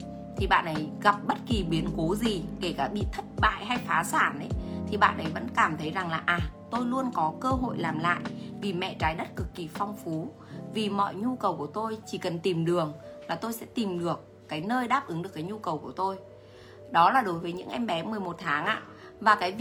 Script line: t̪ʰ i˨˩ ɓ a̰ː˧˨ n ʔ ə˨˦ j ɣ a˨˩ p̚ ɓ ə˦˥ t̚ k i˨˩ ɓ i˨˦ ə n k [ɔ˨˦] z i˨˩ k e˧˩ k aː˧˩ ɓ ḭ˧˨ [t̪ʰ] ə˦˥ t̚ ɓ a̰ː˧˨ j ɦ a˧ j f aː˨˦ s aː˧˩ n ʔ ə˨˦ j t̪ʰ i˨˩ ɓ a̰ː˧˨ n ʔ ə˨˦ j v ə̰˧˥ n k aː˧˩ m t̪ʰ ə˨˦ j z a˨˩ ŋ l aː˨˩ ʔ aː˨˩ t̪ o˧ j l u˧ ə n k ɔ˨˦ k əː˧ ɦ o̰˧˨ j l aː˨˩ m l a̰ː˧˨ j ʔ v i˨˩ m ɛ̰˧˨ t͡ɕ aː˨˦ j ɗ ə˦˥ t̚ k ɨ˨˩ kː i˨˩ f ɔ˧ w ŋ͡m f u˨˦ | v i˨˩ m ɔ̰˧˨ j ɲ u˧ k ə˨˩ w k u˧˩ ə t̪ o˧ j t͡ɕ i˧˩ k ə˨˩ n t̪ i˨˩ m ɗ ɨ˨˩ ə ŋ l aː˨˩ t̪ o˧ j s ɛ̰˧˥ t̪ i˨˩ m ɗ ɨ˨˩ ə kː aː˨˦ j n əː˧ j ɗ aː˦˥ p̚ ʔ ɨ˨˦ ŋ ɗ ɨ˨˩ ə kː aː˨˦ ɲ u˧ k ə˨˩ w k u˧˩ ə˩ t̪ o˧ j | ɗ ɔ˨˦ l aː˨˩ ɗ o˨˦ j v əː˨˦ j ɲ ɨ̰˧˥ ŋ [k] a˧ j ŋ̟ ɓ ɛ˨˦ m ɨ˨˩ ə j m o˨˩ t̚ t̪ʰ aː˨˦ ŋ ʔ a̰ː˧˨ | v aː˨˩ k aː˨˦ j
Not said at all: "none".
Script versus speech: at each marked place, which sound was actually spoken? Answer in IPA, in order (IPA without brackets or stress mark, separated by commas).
o˨˦, t̪ʰ, ʔ